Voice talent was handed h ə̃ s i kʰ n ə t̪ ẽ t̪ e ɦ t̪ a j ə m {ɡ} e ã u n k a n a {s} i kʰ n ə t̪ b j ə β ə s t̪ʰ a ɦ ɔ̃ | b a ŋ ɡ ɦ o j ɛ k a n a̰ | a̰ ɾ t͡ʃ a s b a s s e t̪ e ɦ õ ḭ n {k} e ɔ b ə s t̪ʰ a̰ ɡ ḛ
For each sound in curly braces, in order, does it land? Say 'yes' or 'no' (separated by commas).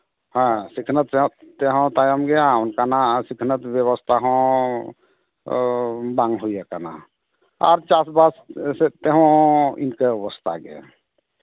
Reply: yes, yes, yes